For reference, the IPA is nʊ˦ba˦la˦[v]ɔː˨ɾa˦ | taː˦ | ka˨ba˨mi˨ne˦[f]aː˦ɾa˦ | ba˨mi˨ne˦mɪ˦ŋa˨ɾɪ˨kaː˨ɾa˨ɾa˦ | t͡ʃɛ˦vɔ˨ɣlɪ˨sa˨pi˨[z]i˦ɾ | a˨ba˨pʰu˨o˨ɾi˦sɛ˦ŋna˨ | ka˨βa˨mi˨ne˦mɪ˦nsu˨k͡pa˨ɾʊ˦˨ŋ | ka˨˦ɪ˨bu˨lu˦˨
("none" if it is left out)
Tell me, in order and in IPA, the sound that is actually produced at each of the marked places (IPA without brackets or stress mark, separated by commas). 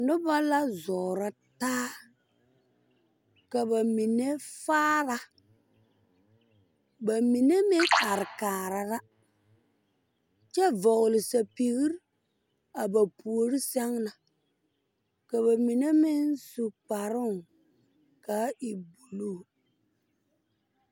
z, f, ɣ